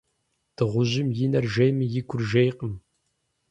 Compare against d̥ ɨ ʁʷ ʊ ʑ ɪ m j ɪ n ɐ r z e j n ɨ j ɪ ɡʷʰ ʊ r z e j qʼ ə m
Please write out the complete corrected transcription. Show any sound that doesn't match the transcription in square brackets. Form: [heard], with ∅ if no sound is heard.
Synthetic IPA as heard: d̥ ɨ ʁʷ ʊ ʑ ɪ m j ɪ n ɐ r [ʒ] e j [m] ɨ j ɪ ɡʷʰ ʊ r [ʒ] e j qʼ ə m